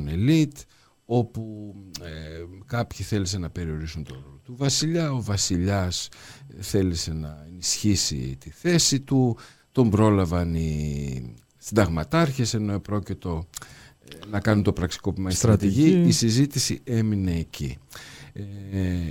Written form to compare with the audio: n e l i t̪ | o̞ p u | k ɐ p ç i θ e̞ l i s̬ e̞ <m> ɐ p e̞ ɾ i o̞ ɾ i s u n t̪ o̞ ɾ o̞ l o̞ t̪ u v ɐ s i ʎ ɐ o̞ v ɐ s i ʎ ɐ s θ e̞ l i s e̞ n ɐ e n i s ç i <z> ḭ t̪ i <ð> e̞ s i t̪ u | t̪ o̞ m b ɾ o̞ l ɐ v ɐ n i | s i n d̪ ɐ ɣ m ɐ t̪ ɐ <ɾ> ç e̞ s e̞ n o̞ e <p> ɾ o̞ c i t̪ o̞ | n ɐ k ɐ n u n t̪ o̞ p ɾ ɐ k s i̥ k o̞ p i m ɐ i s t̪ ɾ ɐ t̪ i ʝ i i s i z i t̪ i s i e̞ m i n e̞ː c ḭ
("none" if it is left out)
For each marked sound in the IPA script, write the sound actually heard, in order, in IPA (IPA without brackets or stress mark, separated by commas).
n, s, θ, ɾ, p